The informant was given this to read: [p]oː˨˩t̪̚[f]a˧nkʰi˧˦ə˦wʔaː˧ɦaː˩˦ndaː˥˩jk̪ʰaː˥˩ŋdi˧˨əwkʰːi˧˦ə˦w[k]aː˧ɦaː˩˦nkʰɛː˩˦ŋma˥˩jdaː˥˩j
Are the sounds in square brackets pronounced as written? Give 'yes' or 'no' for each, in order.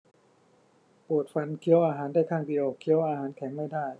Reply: yes, yes, no

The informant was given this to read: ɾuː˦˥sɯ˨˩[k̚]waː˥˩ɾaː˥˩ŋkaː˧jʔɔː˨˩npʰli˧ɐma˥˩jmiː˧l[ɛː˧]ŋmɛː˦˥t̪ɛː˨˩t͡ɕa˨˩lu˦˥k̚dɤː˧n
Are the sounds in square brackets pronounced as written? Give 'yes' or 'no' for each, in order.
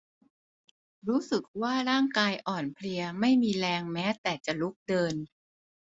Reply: yes, yes

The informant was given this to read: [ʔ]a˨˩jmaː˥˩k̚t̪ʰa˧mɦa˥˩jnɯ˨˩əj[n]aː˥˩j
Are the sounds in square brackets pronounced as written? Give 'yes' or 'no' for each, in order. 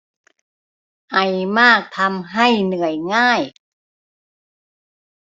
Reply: yes, no

